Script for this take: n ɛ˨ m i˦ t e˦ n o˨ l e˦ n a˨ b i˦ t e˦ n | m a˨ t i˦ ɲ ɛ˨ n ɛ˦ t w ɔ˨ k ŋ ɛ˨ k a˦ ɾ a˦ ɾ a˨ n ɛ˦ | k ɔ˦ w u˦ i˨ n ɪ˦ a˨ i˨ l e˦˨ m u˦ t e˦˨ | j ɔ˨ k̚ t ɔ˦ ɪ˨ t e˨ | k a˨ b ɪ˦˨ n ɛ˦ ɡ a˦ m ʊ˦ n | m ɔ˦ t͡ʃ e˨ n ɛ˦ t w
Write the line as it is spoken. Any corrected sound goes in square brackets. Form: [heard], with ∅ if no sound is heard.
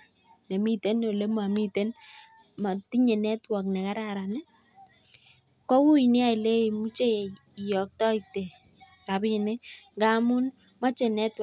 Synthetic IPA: n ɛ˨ m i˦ t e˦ n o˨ l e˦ [m] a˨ [m] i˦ t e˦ n | m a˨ t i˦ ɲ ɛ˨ n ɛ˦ t w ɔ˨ k [n] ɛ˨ k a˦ ɾ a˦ ɾ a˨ n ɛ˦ | k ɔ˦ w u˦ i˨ n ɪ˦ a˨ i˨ l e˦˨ m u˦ [t͡ʃ] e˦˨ | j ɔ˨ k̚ t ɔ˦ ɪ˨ t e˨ | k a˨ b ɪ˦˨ n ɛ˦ ɡ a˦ m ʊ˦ n | m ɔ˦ t͡ʃ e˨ n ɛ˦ t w

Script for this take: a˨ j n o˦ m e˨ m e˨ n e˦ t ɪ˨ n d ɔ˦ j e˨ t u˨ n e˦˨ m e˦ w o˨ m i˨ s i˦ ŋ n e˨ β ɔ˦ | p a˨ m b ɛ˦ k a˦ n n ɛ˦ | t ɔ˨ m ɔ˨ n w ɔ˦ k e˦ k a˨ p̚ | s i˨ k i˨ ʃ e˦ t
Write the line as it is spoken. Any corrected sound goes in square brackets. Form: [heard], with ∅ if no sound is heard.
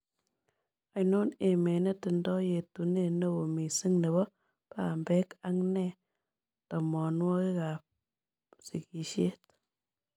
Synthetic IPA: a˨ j n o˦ [n] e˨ m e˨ n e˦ t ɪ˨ n d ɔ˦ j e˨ t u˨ n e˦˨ [n] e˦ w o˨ m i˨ s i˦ ŋ n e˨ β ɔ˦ | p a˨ m b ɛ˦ k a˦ [ŋ] n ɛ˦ | t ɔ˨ m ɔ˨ n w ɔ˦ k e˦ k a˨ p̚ | s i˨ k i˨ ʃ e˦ t

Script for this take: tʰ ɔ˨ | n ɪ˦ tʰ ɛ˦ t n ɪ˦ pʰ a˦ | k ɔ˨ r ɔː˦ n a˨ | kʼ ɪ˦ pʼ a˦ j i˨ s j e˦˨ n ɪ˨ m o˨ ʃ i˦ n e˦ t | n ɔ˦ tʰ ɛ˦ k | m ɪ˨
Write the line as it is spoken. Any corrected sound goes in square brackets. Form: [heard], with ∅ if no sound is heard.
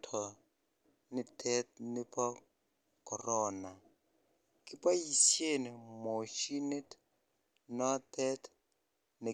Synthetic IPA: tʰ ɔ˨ | n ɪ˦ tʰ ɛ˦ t n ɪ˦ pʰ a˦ | k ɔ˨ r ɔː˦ n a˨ | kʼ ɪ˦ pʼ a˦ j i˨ s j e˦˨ n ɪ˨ m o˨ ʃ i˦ n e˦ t | n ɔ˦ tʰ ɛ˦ [t] | [n] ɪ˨

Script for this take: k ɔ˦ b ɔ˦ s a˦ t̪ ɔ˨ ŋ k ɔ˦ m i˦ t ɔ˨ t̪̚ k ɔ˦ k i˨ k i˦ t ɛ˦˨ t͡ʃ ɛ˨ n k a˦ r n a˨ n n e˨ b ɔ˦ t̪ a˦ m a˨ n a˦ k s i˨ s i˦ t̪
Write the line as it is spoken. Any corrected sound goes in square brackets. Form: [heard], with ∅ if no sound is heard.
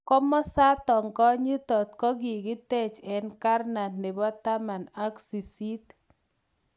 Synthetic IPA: k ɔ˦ [m] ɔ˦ s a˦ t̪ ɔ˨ ŋ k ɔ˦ [ɲ] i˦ t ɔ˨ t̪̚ k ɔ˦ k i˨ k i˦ t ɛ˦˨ t͡ʃ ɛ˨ n k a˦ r n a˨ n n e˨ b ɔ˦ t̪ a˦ m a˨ n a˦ k s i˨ s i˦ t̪

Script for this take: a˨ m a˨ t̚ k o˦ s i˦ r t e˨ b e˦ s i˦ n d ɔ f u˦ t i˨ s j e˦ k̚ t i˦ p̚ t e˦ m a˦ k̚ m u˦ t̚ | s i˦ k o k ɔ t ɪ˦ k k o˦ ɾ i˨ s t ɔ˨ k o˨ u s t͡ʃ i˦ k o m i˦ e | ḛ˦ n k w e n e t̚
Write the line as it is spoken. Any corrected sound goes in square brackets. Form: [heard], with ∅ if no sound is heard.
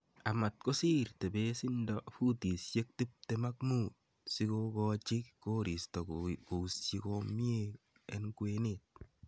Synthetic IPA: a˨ m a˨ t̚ k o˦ s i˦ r t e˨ b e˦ s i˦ n d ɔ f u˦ t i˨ s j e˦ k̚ t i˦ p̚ t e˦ m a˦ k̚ m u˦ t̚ | s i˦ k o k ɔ [t͡ʃ] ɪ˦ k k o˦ ɾ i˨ s t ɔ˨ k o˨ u s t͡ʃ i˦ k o m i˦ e | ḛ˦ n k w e n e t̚

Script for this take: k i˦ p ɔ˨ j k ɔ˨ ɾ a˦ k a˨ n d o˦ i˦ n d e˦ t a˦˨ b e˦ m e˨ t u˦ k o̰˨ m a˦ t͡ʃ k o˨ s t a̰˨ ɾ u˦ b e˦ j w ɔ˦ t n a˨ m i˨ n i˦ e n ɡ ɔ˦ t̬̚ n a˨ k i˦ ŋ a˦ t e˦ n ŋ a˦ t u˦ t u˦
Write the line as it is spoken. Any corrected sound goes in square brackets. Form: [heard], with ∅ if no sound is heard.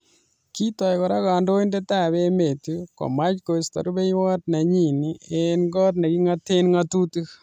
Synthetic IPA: k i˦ [t] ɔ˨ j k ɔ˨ ɾ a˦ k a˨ n d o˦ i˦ n d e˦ t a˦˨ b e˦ m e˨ t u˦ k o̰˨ m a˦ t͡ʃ k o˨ s t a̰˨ ɾ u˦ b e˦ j w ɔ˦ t n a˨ [ɲ] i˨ n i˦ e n ɡ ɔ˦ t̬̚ n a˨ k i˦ ŋ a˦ t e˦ n ŋ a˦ t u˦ t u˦

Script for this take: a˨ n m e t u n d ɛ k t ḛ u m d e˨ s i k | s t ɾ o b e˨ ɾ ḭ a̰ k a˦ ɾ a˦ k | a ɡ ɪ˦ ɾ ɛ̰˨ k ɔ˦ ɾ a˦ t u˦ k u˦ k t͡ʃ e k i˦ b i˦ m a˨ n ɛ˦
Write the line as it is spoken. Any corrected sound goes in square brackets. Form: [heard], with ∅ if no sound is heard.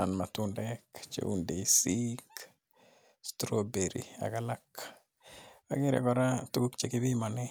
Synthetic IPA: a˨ n m [a] t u n d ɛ k [t͡ʃ] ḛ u [n] d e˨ s i k | s t ɾ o b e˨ ɾ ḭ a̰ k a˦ [l] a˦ k | a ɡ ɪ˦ ɾ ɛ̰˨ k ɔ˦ ɾ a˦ t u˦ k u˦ k t͡ʃ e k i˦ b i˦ m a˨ n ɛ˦

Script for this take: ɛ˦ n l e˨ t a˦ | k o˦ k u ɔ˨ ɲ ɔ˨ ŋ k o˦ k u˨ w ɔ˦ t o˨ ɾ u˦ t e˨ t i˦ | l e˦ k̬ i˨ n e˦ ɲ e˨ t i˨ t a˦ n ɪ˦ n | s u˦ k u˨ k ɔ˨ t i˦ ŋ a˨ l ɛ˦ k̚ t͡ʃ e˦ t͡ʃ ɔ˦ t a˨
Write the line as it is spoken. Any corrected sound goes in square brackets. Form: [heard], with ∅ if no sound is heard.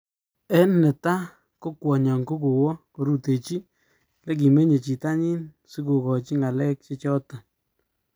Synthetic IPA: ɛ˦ n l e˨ t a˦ | k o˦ k [w] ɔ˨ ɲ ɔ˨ ŋ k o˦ k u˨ w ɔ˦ [k] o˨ ɾ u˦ t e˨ [t͡ʃ] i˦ | l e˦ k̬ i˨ [m] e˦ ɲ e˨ [t͡ʃ] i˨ t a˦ [ɲ] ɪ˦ n | s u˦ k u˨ k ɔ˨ [t͡ʃ] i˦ ŋ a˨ l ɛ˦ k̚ t͡ʃ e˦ t͡ʃ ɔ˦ t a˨

